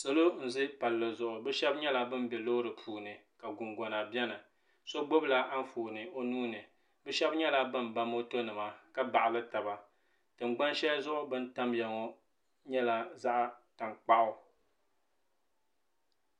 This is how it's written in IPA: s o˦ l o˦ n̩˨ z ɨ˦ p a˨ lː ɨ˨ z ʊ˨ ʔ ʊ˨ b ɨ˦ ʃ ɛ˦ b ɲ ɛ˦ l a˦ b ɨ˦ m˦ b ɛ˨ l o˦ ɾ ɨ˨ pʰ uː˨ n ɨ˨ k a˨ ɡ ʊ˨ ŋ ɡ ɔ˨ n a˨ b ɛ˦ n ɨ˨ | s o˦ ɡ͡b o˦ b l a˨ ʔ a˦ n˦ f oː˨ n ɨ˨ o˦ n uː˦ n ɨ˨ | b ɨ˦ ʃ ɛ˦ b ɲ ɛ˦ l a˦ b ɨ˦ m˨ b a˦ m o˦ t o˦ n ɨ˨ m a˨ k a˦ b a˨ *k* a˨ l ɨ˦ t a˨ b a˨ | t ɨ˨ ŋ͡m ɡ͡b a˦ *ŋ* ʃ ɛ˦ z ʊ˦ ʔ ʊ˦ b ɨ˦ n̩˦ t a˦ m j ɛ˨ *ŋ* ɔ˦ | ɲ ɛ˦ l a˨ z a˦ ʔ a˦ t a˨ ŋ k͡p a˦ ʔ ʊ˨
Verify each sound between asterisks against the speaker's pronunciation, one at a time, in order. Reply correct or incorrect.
incorrect, incorrect, correct

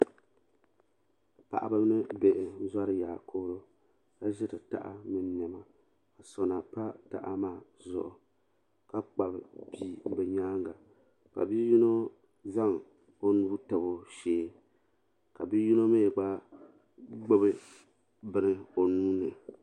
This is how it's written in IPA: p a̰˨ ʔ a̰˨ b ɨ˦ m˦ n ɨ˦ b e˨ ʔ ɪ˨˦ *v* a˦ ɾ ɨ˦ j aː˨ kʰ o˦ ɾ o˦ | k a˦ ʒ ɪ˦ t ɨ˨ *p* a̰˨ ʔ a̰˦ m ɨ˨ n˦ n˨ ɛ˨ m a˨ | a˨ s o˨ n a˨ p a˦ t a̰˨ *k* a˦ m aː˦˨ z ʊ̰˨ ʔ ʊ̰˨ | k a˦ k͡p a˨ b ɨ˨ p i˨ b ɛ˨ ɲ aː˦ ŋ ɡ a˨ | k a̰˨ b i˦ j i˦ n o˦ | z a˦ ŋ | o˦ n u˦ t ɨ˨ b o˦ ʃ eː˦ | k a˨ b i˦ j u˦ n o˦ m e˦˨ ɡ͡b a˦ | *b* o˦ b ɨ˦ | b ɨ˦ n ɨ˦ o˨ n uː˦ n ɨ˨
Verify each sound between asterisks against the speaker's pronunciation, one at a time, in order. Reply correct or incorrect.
incorrect, incorrect, incorrect, incorrect

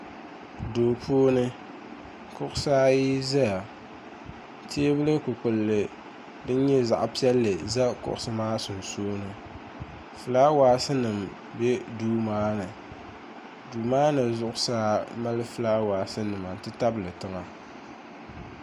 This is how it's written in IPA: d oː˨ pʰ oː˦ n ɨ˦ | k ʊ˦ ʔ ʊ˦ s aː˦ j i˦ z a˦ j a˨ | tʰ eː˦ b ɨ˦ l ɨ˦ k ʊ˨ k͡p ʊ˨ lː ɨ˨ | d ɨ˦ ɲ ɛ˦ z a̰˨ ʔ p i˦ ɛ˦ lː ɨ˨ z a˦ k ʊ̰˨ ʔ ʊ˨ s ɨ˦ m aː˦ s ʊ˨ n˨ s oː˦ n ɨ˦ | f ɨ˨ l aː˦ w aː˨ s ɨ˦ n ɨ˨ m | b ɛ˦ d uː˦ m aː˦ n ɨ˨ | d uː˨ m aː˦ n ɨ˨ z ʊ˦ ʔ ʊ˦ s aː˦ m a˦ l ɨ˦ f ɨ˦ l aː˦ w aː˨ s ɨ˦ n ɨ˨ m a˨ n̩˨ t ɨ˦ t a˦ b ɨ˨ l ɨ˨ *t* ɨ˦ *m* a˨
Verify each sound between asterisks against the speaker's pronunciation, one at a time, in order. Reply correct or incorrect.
correct, incorrect

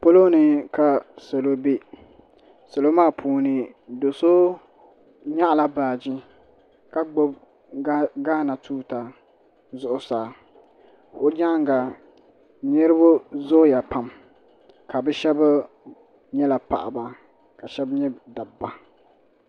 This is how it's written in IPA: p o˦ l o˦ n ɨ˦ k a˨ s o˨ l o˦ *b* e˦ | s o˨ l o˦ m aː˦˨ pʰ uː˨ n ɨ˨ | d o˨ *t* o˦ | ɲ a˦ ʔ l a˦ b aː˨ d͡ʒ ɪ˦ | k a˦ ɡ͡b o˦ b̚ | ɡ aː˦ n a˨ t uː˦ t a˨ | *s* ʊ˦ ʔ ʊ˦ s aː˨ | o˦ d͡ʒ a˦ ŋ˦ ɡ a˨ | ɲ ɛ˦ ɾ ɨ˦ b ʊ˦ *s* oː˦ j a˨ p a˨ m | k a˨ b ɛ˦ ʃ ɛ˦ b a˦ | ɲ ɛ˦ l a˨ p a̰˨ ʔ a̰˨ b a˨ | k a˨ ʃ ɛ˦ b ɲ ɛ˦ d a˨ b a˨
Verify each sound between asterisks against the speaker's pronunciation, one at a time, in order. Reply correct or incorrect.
correct, incorrect, incorrect, incorrect

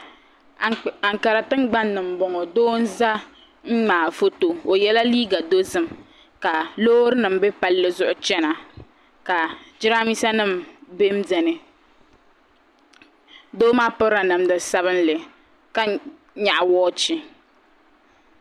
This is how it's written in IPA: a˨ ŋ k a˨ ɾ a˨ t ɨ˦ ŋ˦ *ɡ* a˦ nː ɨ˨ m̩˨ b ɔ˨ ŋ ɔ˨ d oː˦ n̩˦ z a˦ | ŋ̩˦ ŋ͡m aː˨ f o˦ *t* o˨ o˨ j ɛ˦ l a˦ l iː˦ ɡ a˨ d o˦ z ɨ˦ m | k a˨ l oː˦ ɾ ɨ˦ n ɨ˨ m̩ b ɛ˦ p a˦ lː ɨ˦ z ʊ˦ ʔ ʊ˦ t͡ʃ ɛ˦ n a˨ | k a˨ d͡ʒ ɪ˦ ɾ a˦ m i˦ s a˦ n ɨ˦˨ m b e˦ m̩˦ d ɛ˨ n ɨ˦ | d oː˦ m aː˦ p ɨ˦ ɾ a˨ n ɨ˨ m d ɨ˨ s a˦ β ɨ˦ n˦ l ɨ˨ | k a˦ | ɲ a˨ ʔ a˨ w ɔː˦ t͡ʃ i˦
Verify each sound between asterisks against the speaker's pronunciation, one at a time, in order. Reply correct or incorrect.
incorrect, correct

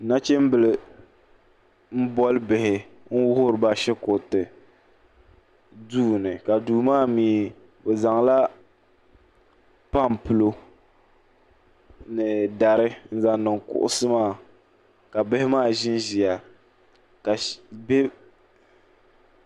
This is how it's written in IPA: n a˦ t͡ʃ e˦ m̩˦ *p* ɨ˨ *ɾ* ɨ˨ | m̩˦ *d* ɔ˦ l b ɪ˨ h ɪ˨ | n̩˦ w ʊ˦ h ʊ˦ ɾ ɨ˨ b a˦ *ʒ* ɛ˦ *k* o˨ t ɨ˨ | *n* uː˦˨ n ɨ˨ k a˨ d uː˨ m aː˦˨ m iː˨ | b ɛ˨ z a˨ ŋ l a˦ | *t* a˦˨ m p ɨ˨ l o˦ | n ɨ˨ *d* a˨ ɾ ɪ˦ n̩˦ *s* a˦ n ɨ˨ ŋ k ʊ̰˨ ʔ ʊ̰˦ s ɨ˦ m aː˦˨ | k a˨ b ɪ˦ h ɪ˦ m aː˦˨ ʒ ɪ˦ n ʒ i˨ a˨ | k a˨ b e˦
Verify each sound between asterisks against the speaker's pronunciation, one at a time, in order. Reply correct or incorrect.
incorrect, incorrect, incorrect, incorrect, correct, incorrect, incorrect, correct, incorrect

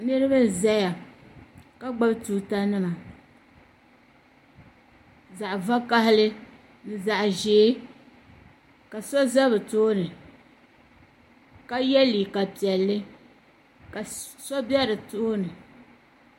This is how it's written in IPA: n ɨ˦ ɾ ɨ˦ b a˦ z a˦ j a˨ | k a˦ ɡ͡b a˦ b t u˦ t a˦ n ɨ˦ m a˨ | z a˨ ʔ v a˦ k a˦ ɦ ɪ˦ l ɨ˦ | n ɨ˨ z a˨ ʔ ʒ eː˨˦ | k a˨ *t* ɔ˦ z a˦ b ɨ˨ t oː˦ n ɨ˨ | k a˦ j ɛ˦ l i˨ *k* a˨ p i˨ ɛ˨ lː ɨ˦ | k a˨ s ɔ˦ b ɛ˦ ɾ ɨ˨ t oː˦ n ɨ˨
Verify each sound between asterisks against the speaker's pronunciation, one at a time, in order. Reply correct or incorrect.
incorrect, correct

